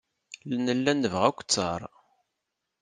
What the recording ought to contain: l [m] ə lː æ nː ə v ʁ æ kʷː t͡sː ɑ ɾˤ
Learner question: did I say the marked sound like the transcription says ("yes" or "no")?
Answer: no